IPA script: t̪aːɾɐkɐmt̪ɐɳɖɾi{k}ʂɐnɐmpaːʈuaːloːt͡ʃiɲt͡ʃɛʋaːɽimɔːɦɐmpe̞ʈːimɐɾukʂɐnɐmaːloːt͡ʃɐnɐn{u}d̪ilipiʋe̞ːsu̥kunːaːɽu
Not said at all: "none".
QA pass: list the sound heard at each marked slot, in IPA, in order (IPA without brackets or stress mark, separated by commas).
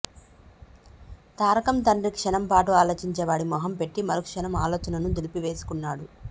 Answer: k, u